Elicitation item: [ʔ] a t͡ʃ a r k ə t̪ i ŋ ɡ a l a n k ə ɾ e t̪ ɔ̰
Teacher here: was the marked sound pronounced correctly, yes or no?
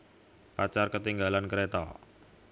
no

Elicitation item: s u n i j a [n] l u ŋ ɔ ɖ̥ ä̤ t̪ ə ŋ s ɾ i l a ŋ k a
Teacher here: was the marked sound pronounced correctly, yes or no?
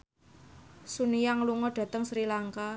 no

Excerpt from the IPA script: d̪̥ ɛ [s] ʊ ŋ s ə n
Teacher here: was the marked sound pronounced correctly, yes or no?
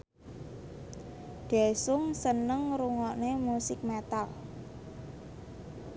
yes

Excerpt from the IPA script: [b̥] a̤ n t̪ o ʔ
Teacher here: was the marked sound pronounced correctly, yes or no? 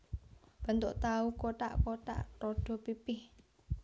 yes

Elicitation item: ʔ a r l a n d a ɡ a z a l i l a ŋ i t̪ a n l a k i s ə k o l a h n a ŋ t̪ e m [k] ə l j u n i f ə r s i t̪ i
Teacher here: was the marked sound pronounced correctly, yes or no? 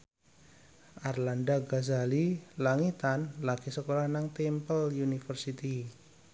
no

